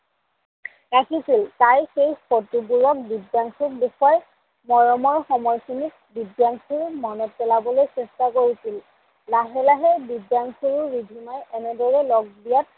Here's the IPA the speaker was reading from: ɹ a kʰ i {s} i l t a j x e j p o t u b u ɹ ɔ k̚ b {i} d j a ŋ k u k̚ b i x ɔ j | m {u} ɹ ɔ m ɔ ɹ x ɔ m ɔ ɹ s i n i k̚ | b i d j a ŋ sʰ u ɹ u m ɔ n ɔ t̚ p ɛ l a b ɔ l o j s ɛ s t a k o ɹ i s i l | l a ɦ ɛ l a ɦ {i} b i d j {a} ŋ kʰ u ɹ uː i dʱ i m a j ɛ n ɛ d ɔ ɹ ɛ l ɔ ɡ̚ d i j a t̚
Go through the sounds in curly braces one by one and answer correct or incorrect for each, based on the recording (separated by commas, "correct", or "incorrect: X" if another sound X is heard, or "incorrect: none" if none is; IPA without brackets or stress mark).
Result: correct, correct, incorrect: ɔ, incorrect: ɛ, correct